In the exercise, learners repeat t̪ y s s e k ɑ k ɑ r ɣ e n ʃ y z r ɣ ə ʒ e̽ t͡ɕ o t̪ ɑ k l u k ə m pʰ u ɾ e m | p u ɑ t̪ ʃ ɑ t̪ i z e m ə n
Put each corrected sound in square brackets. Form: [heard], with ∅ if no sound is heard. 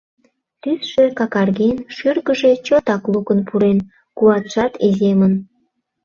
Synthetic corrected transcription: t̪ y s [ʃ] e k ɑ k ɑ r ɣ e n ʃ y [∅] r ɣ ə ʒ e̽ t͡ɕ o t̪ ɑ k l u k ə [n] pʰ u ɾ e [n] | [k] u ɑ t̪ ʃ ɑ t̪ i z e m ə n